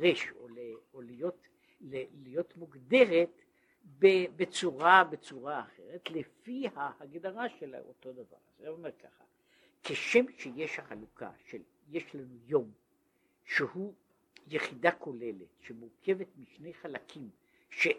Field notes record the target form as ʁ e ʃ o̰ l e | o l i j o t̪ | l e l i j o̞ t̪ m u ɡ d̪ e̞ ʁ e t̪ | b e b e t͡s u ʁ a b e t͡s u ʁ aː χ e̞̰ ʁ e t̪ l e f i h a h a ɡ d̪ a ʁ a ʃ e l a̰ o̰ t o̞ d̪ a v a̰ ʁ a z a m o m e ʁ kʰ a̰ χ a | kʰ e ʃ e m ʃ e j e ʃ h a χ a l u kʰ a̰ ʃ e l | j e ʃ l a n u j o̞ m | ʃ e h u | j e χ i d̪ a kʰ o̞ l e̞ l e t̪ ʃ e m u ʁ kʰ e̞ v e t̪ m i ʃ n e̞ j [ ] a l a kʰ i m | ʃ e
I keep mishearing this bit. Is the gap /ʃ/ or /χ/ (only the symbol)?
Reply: χ